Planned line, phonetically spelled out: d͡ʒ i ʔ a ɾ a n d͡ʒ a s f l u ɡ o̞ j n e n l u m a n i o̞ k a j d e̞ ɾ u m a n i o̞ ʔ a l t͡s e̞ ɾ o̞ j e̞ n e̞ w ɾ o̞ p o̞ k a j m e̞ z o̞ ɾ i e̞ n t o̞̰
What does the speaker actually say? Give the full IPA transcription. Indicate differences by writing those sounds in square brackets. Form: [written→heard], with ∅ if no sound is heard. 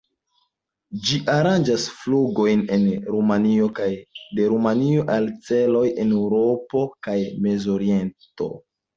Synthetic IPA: d͡ʒ i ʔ a ɾ a n d͡ʒ a s f l u ɡ o̞ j n e n [l→ɾ] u m a n i o̞ k a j d e̞ ɾ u m a n i o̞ ʔ a l t͡s e̞ [ɾ→l] o̞ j e̞ n e̞ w ɾ o̞ p o̞ k a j m e̞ z o̞ ɾ i e̞ n t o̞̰